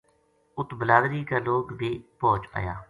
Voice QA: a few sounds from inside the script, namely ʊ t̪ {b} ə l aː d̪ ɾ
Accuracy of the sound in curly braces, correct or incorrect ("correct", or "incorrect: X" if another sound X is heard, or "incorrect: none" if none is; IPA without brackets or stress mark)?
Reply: correct